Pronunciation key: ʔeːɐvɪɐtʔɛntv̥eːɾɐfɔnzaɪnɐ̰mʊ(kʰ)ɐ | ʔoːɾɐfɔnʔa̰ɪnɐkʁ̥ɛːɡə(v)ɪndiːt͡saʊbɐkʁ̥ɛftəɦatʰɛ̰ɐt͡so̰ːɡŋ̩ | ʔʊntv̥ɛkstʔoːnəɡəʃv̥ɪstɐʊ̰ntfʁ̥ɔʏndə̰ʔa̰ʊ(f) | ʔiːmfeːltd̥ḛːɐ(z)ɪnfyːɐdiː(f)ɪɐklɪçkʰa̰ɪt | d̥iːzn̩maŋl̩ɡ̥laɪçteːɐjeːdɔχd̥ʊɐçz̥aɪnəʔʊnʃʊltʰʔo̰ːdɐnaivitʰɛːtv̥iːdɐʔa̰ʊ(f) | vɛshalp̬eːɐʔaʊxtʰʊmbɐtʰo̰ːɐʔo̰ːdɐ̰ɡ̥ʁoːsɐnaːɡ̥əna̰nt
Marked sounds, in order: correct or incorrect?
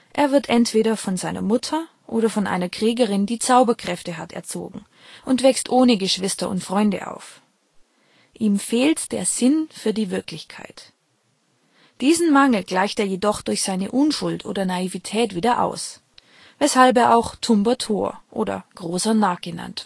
incorrect: tʰ, incorrect: ʁ, correct, correct, incorrect: v, incorrect: s

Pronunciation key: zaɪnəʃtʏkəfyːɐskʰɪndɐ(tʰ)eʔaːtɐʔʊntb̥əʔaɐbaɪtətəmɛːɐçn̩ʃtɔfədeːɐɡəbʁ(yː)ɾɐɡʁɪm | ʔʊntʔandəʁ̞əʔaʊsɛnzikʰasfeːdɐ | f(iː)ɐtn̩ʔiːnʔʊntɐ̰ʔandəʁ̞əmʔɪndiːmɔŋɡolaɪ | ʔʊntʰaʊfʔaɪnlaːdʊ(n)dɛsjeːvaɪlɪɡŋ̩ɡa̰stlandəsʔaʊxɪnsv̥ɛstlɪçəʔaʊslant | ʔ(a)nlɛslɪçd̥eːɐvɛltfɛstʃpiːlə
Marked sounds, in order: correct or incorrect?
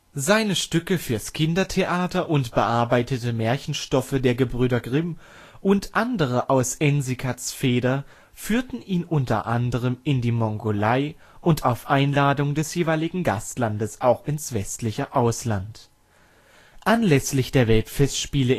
correct, correct, incorrect: yː, incorrect: ŋ, correct

